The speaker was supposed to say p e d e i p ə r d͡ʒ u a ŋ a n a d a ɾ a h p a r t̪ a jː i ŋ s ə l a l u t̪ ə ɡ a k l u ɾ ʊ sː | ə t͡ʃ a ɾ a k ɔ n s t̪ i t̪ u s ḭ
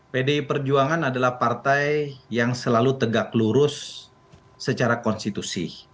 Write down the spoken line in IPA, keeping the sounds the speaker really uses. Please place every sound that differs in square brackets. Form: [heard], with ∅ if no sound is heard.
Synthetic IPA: p e d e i p ə r d͡ʒ u a ŋ a n a d a [l] a h p a r t̪ a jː [a] ŋ s ə l a l u t̪ ə ɡ a k l u ɾ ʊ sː | ə t͡ʃ a ɾ a k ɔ n s t̪ i t̪ u s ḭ